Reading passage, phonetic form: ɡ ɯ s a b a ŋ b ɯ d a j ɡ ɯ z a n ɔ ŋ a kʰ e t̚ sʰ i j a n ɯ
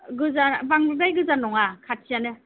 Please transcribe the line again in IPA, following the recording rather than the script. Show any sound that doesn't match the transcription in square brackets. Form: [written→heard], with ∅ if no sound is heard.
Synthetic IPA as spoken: ɡ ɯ [s→z] a b a ŋ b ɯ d a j ɡ ɯ z a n ɔ ŋ a kʰ [e→a] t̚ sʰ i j a n ɯ

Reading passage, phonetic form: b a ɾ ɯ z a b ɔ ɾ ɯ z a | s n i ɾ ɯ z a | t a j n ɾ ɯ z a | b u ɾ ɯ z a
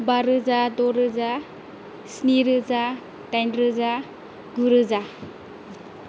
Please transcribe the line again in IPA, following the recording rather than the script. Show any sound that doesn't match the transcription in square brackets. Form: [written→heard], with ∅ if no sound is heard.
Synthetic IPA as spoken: b a ɾ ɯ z a [b→d] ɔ ɾ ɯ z a | s n i ɾ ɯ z a | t a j n ɾ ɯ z a | [b→ɡ] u ɾ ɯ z a

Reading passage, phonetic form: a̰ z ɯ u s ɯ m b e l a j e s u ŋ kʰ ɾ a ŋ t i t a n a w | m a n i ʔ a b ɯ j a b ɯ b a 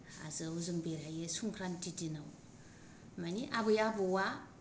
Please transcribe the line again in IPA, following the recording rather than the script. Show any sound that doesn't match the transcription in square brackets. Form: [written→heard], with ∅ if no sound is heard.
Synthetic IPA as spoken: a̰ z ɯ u [s→z] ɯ [m→ŋ] b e [l→ɾ] a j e s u ŋ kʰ ɾ a [ŋ→n] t i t [a→i] n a w | m a n i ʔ a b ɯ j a b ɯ [b→w] a

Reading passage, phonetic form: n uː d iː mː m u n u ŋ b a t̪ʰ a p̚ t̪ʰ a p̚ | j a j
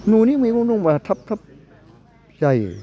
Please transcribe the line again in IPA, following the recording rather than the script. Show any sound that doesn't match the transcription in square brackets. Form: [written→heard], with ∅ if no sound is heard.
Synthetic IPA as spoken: n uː [d→n] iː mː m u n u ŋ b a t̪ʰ a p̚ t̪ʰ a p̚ | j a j

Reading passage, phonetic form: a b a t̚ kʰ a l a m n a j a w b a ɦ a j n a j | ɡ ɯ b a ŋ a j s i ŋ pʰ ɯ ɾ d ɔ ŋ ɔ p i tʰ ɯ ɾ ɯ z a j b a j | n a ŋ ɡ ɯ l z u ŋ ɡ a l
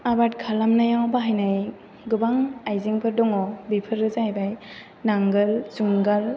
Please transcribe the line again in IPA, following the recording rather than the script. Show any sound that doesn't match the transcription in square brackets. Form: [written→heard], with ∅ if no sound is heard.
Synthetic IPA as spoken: a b a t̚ kʰ a l a m n a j a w b a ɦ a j n a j | ɡ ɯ b a ŋ a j [s→z] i ŋ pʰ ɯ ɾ d ɔ ŋ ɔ [p→b] i [tʰ→pʰ] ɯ ɾ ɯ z a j b a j | n a ŋ ɡ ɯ l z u ŋ ɡ a l

